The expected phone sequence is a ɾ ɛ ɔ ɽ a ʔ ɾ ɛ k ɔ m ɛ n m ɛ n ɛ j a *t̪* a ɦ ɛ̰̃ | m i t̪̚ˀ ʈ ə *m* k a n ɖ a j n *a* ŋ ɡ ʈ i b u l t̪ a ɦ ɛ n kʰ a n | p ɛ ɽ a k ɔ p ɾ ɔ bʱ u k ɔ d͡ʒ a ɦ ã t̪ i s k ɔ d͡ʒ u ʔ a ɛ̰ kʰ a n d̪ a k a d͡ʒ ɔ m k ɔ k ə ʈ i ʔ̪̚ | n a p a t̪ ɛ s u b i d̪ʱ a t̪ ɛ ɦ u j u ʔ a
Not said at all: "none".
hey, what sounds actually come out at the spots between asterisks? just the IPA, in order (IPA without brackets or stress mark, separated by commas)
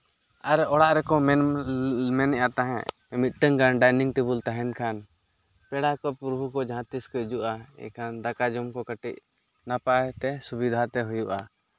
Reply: t̪, ŋ, i